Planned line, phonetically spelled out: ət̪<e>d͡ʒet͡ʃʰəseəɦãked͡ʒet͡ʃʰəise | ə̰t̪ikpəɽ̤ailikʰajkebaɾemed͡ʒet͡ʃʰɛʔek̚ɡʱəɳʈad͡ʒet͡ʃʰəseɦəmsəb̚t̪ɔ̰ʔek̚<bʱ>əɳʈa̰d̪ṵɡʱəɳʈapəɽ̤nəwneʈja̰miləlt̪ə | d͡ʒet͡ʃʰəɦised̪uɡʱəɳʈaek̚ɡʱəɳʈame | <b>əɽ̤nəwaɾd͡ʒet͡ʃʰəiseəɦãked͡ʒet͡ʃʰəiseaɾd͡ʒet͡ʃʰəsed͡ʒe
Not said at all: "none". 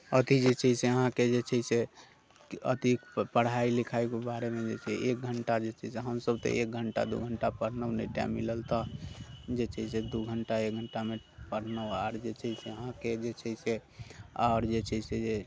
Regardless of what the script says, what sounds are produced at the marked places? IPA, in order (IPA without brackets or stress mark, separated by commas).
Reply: i, ɡʱ, p